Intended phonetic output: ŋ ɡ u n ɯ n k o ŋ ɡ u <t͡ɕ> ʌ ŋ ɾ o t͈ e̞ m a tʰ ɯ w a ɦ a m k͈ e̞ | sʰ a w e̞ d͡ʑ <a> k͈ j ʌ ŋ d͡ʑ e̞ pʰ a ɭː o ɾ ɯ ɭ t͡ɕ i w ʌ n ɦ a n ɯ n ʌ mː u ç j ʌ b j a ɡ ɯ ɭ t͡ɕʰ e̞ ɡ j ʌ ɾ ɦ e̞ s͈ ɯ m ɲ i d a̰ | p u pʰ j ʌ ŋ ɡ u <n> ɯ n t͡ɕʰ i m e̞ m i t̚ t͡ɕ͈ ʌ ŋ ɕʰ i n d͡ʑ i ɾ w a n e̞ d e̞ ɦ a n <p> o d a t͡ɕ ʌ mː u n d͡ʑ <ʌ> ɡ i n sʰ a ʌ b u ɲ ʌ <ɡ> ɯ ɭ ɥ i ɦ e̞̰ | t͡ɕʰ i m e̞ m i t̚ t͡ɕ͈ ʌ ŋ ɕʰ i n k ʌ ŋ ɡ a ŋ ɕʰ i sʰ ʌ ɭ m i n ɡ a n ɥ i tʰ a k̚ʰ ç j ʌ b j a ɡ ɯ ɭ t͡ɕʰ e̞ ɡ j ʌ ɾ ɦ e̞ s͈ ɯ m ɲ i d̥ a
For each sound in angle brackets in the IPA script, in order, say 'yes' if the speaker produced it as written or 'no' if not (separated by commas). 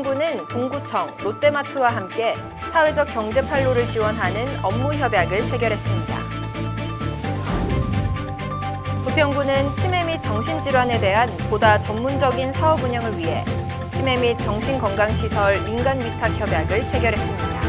no, no, yes, yes, yes, no